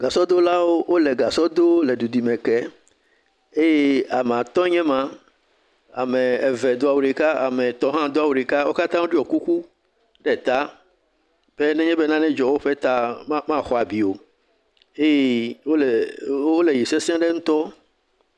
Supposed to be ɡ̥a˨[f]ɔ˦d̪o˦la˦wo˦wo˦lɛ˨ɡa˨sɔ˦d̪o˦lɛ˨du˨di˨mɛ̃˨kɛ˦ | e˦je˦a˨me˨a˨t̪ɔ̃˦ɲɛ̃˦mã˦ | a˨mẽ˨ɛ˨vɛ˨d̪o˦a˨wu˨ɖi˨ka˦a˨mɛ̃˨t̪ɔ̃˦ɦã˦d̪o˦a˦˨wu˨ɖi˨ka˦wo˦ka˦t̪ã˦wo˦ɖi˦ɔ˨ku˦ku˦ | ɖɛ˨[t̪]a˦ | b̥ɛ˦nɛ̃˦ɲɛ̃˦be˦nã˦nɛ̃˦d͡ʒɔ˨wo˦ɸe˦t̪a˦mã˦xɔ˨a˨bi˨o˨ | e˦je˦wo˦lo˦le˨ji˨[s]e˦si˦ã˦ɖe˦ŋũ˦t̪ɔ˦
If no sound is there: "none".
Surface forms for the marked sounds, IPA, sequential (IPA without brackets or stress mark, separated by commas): s, t̪, s